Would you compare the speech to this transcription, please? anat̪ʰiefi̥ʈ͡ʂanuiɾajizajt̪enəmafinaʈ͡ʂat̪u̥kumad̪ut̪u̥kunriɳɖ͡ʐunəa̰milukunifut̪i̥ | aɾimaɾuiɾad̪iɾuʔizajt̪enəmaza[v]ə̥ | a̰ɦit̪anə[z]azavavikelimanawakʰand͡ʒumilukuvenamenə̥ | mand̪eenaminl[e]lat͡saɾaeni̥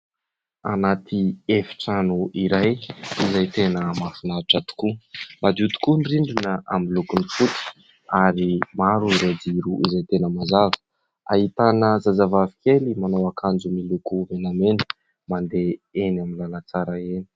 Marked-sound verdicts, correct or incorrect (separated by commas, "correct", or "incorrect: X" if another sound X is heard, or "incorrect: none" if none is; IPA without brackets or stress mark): correct, correct, incorrect: a